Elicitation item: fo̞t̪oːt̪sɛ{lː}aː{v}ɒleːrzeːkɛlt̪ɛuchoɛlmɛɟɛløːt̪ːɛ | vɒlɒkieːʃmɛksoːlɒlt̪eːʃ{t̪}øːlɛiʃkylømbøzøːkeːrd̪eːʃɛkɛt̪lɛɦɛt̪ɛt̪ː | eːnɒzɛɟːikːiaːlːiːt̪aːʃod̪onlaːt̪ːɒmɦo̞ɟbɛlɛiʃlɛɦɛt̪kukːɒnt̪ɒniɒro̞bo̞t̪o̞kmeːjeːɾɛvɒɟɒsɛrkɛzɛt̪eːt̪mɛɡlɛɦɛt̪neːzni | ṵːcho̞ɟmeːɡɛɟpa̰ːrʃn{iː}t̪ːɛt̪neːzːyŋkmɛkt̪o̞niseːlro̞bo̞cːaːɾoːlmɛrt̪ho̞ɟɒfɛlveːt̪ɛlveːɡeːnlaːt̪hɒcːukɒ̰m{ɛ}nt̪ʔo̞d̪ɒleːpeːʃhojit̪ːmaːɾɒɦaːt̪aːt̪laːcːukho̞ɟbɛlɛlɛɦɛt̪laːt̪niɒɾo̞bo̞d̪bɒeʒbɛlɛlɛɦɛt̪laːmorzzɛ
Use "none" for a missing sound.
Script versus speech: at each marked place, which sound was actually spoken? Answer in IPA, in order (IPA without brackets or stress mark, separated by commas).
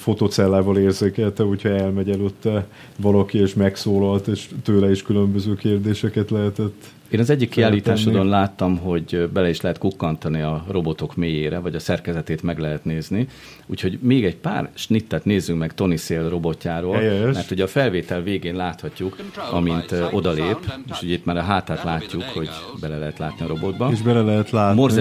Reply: lː, v, t̪, i, i